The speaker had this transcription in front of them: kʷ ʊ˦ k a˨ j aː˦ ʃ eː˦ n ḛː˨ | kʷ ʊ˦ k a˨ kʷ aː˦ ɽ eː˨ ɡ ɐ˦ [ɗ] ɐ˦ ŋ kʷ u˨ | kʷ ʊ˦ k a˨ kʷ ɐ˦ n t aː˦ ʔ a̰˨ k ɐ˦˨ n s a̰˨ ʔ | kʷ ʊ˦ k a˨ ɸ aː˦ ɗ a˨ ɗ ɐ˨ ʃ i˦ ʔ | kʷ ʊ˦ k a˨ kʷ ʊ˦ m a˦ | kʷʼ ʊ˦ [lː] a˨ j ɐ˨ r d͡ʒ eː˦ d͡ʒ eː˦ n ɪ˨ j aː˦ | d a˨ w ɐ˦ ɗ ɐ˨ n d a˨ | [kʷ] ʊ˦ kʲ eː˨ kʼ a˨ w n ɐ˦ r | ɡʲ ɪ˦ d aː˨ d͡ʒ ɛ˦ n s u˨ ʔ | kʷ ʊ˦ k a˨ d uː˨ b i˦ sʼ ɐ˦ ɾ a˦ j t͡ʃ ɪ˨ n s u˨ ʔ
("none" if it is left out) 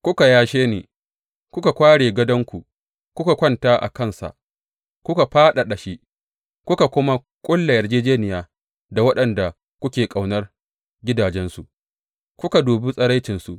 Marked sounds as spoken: d, lː, kʷ

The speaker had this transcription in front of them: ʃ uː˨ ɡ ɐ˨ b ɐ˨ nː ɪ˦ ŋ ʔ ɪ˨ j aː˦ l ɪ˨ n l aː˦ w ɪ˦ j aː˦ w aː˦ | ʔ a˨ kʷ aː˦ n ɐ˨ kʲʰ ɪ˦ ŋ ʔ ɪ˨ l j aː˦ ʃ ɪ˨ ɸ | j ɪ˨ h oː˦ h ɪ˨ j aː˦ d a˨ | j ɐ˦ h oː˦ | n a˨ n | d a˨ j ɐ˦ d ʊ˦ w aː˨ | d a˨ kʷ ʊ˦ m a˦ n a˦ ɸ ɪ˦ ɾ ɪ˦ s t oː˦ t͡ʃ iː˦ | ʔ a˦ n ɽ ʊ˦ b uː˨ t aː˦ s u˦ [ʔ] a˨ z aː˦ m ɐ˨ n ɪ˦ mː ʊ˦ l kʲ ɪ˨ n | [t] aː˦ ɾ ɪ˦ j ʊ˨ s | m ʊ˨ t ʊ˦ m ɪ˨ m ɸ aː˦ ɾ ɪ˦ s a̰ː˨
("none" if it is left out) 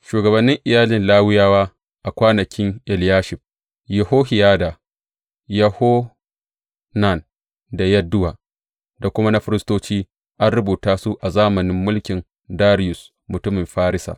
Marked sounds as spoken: ʔ, d

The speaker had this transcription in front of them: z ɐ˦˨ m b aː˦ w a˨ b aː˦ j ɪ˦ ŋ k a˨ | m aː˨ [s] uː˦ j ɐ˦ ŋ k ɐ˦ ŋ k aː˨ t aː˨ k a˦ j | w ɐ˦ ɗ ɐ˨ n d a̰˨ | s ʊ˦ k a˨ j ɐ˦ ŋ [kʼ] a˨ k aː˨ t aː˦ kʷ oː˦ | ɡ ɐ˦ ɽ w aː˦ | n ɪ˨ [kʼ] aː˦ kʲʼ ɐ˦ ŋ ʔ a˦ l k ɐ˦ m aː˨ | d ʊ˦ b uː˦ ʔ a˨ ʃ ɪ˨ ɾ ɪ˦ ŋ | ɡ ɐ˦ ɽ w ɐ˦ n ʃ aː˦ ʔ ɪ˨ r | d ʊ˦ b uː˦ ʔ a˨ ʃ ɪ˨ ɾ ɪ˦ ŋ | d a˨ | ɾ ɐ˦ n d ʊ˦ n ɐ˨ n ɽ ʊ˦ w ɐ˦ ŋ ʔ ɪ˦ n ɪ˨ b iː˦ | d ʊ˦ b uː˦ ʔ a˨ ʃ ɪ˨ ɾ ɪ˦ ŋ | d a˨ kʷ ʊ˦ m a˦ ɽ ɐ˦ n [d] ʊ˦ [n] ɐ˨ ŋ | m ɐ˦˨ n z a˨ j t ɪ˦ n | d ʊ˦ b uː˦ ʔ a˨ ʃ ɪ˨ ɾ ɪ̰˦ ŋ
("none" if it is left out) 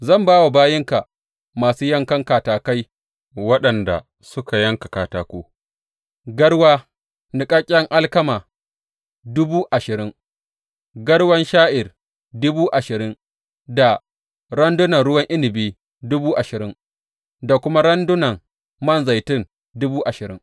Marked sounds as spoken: s, k, kʼ, d, n

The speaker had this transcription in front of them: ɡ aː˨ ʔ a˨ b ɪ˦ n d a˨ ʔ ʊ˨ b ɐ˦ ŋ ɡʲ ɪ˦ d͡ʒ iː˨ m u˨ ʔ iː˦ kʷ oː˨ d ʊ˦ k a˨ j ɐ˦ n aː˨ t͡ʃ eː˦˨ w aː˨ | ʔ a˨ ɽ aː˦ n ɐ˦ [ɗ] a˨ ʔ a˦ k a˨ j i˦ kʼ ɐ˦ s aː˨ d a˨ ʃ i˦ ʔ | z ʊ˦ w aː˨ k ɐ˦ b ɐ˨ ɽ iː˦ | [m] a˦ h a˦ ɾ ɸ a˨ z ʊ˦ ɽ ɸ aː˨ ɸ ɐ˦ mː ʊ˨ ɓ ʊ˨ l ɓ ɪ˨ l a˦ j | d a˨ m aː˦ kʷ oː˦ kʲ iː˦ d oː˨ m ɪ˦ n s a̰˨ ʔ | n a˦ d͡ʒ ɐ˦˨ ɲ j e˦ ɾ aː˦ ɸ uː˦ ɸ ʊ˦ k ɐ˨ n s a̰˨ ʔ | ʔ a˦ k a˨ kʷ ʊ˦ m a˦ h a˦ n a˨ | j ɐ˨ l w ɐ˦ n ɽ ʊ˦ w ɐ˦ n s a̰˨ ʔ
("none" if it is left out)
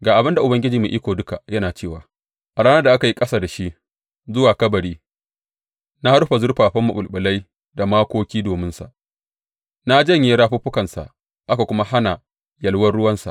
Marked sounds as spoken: d, n

